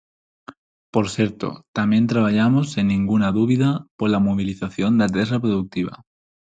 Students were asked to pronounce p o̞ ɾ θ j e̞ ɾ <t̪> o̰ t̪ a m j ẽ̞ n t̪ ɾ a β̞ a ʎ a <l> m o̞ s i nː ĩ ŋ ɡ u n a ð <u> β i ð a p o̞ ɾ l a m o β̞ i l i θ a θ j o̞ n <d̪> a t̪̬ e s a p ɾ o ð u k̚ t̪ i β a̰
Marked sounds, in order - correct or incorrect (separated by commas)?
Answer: correct, incorrect, correct, correct